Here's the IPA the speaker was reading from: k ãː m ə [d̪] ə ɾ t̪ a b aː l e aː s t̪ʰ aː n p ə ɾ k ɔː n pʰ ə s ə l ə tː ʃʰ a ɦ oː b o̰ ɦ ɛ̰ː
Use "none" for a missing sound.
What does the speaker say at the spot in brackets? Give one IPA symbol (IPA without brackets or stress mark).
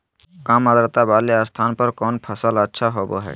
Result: d̪